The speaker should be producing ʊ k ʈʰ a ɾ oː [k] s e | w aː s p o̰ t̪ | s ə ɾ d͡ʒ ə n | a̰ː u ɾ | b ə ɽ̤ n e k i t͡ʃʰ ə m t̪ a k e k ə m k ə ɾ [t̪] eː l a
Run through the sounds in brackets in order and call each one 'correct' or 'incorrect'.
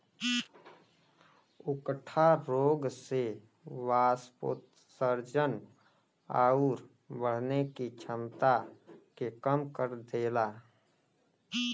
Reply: incorrect, incorrect

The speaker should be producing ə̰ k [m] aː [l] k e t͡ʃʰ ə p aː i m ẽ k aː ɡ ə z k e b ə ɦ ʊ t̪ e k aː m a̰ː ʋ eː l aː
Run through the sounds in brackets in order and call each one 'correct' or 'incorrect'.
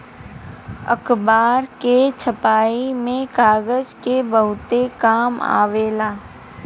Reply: incorrect, incorrect

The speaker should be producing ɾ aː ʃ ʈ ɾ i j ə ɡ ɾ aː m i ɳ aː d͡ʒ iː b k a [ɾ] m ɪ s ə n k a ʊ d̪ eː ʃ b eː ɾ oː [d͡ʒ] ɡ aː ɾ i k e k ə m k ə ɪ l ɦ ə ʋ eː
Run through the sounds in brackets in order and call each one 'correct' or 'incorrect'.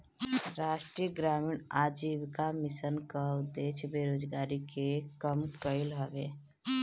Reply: incorrect, correct

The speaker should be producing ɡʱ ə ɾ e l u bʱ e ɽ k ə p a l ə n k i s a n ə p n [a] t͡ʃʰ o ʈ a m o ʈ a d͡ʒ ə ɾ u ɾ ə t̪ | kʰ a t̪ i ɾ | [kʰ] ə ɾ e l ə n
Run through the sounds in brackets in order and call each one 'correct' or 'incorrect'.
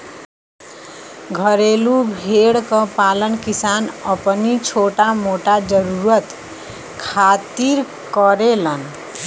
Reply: incorrect, incorrect

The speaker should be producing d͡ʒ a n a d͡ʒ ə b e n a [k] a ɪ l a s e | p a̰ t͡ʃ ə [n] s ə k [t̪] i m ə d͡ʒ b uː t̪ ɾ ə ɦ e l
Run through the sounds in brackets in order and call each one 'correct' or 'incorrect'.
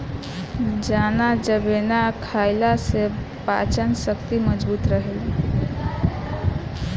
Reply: incorrect, correct, correct

